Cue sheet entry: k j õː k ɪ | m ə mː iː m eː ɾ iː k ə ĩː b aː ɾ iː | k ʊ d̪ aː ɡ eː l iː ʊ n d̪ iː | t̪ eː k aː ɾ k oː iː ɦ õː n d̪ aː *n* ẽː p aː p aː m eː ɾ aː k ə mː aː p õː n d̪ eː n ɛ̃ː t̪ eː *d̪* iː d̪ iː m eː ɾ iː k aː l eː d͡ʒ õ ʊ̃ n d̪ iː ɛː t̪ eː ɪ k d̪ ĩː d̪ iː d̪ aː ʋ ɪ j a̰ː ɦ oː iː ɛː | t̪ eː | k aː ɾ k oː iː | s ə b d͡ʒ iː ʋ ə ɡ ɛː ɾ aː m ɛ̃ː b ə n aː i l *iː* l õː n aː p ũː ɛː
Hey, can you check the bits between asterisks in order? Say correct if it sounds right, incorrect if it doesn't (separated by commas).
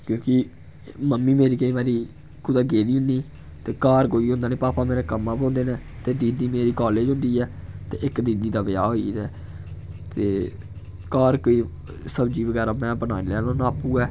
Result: correct, correct, incorrect